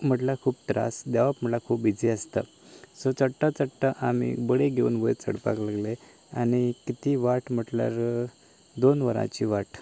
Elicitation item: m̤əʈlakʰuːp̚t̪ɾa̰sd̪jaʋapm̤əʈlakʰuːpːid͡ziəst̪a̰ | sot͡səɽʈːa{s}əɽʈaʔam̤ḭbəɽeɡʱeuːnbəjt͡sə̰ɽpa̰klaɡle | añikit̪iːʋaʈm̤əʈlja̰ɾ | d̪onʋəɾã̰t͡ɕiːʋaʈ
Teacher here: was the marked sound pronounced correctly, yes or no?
no